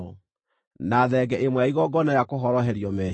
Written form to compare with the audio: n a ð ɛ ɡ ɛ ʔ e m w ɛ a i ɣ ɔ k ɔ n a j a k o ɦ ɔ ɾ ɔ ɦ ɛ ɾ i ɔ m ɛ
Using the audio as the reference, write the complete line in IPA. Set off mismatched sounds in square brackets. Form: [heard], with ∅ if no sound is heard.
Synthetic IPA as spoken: n a ð ɛ ɡ ɛ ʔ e m w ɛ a i ɣ ɔ [ɡ] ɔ n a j a k o ɦ ɔ ɾ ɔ ɦ ɛ ɾ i ɔ m ɛ

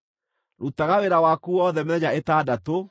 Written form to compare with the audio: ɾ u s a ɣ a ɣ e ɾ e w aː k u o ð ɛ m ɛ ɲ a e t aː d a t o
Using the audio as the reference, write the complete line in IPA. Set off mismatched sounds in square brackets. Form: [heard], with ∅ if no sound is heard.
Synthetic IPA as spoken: ɾ u [t] a ɣ a [w] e ɾ [a] w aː k u [ɔ] ð ɛ m ɛ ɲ a e t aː d a t o

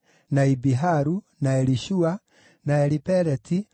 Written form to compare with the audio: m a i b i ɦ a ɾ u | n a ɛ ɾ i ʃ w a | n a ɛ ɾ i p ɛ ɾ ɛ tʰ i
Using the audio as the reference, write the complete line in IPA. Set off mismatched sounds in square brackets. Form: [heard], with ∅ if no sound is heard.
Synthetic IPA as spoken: [n] a i b i ɦ a ɾ u | n a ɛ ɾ i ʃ [u] a | n a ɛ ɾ i p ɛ ɾ ɛ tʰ i

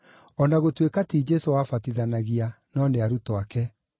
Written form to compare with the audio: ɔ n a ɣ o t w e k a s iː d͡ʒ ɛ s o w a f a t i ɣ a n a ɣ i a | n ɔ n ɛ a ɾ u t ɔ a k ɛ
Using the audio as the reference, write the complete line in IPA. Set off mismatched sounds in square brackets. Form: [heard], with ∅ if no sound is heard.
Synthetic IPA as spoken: ɔ n a ɣ o t w e k a [t] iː d͡ʒ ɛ s o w a f a t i [ð] a n a ɣ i a | n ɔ n [e] a ɾ u t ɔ a k ɛ

